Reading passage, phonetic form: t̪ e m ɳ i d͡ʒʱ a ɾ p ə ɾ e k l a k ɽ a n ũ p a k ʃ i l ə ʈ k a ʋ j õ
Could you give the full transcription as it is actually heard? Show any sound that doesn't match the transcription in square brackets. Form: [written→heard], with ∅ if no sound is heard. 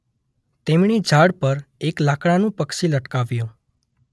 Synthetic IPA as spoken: t̪ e m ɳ i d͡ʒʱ a [ɾ→ɽ] p ə ɾ e k l a k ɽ a n ũ p [a→ə] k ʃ i l ə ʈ k a ʋ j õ